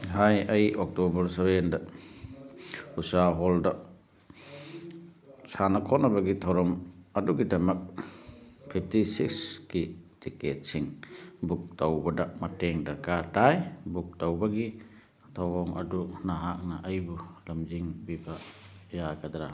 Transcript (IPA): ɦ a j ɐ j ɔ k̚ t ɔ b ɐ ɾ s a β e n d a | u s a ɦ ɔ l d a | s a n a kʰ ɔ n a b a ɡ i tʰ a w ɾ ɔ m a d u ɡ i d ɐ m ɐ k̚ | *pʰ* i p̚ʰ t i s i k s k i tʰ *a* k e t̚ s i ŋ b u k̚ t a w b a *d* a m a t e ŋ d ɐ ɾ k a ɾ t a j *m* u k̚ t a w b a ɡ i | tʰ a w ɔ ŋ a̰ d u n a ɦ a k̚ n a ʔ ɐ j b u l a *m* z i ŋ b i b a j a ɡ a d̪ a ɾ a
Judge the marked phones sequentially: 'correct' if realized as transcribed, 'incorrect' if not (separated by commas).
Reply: correct, incorrect, correct, incorrect, correct